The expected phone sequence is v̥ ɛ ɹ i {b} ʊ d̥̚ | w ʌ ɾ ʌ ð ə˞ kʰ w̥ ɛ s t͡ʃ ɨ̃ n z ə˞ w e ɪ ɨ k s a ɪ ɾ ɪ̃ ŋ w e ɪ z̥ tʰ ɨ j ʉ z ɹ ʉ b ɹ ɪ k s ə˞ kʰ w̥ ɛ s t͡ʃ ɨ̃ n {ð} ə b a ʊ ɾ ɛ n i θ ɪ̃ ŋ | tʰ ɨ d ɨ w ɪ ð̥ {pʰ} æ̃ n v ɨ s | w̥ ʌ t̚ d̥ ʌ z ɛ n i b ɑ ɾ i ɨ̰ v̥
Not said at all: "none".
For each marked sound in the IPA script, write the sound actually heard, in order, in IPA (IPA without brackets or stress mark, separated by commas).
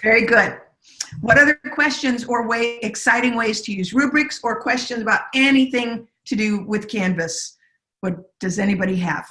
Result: ɡ, z, kʰ